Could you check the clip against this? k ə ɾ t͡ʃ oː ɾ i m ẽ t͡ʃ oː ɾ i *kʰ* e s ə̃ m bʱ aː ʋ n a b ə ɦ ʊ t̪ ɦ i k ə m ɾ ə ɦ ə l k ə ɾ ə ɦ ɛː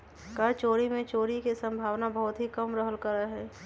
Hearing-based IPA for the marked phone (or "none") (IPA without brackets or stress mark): k